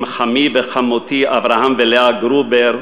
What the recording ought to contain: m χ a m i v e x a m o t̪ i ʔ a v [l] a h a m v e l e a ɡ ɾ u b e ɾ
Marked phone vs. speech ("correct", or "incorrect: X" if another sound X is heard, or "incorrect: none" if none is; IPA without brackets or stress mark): incorrect: ɾ